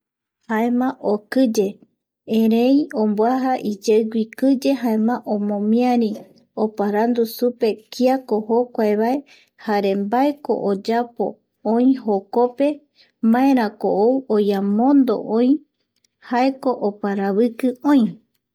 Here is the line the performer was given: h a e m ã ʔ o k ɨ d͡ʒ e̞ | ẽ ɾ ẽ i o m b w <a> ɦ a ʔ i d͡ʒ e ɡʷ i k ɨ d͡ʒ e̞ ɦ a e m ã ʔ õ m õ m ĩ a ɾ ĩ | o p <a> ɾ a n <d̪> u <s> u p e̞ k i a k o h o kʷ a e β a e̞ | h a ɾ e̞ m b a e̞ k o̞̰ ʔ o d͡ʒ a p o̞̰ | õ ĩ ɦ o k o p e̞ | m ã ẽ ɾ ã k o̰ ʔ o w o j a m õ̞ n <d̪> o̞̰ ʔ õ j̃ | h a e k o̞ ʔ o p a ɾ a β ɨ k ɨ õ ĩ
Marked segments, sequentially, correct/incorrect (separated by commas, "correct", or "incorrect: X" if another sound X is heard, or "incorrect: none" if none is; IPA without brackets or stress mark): correct, correct, correct, correct, correct